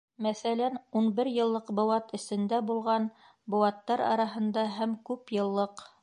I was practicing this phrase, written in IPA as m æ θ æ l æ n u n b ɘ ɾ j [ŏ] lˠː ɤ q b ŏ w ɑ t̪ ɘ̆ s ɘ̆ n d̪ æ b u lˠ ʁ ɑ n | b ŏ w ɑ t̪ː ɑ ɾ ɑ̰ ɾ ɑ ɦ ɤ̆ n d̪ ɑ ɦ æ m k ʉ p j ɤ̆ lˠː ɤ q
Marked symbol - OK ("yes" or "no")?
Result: no